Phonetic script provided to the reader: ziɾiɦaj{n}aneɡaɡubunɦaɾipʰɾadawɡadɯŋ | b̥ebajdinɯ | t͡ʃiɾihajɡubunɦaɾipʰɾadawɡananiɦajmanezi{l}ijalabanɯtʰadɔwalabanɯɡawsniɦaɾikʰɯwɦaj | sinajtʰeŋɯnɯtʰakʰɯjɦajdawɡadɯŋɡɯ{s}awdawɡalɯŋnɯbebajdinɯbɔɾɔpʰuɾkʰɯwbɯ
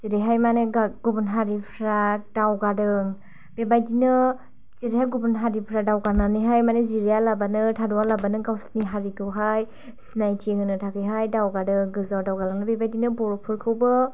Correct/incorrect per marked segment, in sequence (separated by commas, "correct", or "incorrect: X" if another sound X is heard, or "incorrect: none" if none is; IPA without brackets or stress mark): incorrect: m, incorrect: ɾ, incorrect: z